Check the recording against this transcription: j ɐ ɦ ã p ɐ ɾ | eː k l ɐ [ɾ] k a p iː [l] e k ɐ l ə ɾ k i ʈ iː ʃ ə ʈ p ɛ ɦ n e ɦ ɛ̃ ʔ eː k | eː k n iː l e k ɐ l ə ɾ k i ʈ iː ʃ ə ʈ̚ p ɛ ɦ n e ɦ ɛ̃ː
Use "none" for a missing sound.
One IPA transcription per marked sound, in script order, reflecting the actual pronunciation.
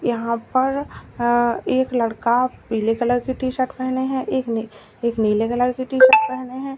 ɽ, l

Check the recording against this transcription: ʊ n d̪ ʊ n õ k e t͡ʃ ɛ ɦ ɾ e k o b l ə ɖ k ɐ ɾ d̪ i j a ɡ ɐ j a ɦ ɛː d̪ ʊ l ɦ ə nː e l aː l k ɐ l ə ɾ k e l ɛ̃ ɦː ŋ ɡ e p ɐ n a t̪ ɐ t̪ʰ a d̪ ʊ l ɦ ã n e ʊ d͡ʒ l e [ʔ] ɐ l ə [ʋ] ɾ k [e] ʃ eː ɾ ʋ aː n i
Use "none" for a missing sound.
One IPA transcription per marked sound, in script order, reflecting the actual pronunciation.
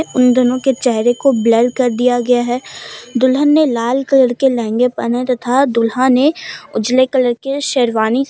k, none, e

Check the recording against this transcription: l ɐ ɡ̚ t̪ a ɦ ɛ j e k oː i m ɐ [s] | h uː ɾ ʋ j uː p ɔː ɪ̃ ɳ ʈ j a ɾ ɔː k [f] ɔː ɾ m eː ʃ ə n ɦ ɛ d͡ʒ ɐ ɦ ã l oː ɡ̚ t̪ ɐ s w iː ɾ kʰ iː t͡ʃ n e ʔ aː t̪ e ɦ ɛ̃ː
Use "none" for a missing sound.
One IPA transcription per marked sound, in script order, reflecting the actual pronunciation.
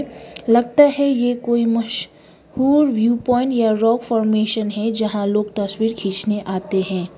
ʃ, f

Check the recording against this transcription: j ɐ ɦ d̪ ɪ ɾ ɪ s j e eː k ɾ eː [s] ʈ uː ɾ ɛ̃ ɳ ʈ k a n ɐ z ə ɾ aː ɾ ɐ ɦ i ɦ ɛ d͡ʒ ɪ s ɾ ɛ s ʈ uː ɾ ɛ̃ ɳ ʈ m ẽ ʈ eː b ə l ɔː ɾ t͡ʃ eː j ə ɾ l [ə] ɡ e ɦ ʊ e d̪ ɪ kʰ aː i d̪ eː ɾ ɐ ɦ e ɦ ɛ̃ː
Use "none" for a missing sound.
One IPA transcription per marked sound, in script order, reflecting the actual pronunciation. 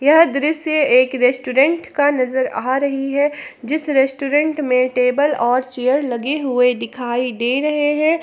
s, ɐ

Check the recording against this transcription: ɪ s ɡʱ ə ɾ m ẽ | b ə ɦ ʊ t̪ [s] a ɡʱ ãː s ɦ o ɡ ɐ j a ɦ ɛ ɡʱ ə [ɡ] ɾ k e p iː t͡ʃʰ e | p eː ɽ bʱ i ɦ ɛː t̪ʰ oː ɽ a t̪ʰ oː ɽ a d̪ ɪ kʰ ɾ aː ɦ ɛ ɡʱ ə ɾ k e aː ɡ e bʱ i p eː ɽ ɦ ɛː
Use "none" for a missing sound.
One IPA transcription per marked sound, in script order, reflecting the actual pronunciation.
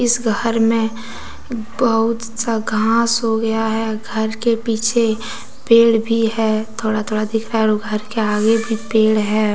s, none

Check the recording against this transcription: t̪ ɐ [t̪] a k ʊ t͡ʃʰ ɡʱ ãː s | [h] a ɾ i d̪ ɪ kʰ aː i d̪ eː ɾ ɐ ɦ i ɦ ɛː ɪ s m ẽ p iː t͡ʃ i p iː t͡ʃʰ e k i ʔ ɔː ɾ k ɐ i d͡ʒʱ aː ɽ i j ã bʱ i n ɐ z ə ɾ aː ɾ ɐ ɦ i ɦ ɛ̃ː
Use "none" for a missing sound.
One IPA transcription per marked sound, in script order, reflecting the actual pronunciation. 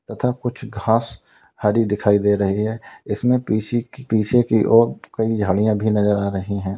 t̪ʰ, h

